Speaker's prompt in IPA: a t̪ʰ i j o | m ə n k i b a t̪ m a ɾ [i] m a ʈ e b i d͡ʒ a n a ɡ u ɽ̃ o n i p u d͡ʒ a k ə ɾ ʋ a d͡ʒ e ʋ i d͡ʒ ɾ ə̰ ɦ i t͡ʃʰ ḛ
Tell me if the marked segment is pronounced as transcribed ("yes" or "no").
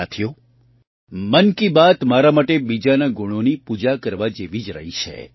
no